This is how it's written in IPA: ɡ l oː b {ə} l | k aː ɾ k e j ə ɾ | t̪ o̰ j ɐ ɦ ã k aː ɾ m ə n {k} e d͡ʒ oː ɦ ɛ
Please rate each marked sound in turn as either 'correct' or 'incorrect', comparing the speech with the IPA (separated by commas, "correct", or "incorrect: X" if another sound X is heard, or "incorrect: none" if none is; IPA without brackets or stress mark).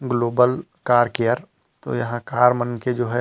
correct, correct